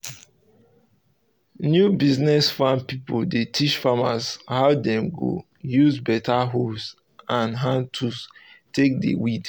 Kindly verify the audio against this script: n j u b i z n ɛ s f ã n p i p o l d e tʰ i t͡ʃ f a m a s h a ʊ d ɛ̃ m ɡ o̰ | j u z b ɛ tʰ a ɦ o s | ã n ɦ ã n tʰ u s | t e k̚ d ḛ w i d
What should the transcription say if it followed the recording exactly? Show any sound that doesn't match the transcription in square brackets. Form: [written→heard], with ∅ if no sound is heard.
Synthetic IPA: n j u b i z n ɛ s f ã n p i p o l d e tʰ i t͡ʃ f a m a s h a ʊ d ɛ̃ m ɡ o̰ | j u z b ɛ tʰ a ɦ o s | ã n ɦ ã n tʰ u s | t e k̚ d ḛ w i d